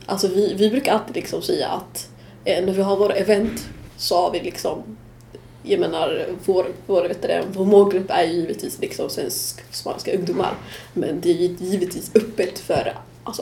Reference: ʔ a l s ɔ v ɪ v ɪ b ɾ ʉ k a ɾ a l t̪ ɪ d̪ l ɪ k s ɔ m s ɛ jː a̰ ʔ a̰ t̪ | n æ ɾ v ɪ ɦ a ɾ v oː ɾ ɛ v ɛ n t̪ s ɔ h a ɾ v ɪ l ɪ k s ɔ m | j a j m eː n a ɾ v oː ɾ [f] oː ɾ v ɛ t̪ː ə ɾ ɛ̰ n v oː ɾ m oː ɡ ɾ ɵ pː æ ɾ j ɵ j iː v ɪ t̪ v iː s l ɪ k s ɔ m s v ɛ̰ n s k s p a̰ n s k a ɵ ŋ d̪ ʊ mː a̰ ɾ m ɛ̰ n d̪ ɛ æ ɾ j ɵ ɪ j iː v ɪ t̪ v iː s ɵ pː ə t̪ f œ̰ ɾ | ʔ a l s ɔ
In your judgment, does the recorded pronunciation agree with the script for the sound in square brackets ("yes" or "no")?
no